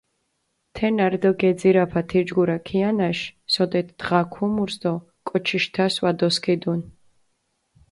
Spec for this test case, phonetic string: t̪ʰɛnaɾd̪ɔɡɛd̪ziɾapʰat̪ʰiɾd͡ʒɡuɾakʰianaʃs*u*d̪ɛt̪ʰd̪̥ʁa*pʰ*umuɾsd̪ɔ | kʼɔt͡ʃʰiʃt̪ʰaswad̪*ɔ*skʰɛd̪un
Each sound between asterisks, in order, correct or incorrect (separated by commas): incorrect, incorrect, correct